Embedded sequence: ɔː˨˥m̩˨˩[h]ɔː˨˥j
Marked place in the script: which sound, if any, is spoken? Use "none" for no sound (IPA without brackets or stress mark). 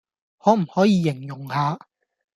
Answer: h